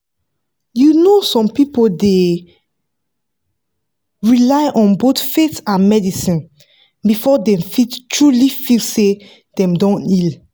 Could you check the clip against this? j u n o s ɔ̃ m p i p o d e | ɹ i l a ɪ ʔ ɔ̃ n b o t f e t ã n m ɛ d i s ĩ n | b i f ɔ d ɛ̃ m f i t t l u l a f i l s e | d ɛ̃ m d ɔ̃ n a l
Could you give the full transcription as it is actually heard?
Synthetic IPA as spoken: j u n o s ɔ̃ m p i p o d e | ɹ i l a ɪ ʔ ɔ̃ n b o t f e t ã n m ɛ d i s ĩ n | b i f ɔ d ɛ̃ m f i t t ɹ u l i f i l s e | d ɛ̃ m d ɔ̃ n i l